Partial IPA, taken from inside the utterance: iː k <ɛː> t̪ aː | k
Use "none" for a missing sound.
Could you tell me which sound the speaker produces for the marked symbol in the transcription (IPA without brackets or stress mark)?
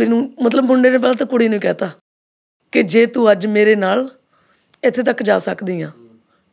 ɛː